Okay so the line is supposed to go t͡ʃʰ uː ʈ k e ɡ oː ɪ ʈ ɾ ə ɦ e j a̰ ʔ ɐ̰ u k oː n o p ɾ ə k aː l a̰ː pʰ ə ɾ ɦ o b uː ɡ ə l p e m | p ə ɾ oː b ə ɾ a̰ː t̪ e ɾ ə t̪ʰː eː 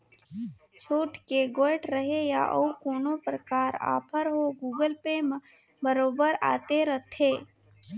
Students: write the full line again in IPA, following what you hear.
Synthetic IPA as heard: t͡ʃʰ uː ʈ k e ɡ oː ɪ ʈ ɾ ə ɦ e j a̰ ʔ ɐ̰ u k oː n o p ɾ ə k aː ɾ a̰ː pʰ ə ɾ ɦ o ɡ uː ɡ ə l p e m | b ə ɾ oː b ə ɾ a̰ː t̪ e ɾ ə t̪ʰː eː